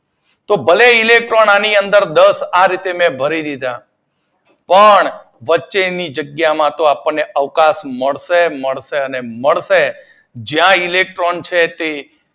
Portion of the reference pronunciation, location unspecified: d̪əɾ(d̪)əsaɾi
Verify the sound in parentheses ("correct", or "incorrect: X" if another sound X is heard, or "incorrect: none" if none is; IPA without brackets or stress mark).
correct